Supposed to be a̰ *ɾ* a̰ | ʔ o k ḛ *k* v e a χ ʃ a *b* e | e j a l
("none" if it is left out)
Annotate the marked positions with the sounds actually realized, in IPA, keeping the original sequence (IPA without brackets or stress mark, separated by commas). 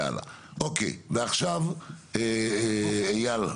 l, none, v